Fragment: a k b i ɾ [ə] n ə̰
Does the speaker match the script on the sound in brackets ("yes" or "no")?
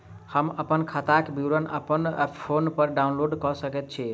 yes